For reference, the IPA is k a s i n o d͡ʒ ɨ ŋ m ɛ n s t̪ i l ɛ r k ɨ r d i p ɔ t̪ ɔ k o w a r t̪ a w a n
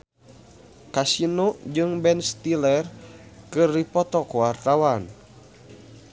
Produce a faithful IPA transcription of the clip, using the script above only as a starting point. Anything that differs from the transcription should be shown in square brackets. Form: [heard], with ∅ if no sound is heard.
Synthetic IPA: k a s i n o d͡ʒ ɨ ŋ [b] ɛ n s t̪ i l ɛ r k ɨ r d i p ɔ t̪ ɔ k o w a r t̪ a w a n